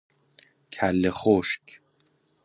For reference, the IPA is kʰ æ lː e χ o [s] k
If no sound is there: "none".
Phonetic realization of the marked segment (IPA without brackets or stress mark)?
ʃ